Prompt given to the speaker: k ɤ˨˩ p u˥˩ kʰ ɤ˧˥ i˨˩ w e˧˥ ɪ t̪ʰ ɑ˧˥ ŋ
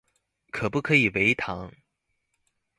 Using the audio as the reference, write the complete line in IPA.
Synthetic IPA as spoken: kʰ ɤ˨˩ p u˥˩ kʰ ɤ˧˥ i˨˩ w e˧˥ ɪ t̪ʰ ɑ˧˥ ŋ